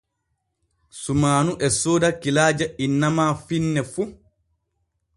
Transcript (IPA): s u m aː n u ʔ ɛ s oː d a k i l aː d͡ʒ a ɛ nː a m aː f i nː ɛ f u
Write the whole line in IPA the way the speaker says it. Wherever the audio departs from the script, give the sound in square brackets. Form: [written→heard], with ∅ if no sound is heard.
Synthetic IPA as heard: s u m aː n u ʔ ɛ s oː d a k i l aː d͡ʒ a [ɛ→i] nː a m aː f i nː ɛ f u